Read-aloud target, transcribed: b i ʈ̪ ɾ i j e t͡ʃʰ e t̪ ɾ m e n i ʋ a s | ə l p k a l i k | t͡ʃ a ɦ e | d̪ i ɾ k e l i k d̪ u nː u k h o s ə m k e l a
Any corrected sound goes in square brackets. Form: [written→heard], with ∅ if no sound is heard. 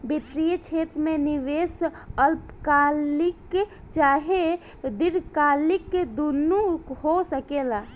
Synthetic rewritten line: b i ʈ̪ ɾ i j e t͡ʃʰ e t̪ ɾ m e n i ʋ [a→e] s | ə l p k a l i k | t͡ʃ a ɦ e | d̪ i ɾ k [e→a] l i k d̪ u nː u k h o s ə [m→∅] k e l a